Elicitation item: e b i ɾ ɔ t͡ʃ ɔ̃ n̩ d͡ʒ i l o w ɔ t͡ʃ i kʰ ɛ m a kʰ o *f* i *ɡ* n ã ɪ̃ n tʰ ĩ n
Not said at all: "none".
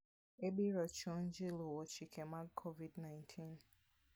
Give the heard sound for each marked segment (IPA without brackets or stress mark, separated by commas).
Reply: v, d